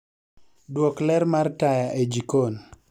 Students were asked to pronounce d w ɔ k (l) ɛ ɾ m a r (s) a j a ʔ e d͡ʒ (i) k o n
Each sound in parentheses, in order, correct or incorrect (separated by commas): correct, incorrect, correct